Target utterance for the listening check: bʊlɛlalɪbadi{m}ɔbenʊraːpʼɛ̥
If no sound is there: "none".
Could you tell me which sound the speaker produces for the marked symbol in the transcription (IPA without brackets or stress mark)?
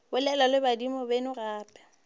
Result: m